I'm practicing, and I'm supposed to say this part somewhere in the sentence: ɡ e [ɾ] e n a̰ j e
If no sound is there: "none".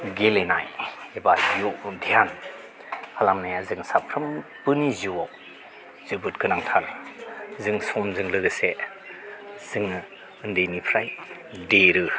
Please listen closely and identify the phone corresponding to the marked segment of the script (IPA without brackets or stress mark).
l